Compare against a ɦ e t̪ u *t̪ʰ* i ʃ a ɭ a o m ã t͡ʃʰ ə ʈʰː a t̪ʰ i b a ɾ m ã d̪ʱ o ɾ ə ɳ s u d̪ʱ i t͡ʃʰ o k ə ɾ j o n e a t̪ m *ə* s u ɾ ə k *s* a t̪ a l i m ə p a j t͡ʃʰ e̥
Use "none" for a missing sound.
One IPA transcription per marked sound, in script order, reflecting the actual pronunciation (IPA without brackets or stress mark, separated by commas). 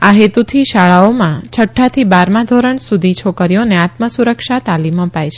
t̪ʰ, ə, ʃ